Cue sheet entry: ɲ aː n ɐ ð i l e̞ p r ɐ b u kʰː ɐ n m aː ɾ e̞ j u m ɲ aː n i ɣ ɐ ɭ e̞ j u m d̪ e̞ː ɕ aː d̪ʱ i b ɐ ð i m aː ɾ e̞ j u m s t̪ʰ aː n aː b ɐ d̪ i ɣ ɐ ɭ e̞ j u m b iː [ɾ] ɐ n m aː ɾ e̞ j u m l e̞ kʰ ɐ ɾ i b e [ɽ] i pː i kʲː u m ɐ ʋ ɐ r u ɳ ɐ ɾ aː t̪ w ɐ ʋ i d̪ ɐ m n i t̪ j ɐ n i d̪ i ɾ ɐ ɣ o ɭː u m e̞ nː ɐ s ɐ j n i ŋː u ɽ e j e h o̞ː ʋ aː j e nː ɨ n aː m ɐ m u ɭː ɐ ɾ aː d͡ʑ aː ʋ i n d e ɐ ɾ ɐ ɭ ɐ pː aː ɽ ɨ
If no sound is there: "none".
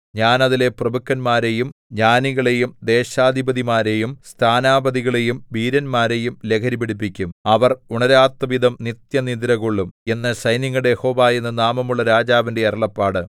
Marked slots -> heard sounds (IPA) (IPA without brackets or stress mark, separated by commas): ɾ, ɽ